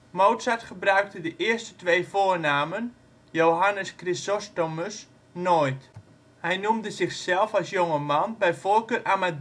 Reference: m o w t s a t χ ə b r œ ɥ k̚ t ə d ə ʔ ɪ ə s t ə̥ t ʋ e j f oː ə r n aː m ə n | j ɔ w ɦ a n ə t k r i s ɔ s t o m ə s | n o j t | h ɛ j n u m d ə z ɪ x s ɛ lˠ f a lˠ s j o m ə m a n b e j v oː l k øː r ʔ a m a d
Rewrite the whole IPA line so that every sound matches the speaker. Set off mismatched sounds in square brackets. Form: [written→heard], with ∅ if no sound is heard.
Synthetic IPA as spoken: m o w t s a t χ ə b r œ ɥ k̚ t ə d ə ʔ ɪ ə s t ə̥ t ʋ e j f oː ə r n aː m ə n | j [ɔ→o] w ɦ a n ə [t→s] k r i s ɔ s t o m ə s | n o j t | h ɛ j n u m d ə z ɪ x s ɛ lˠ f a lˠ s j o [m→ŋ] ə m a n b [e→ɛ] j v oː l k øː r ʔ a m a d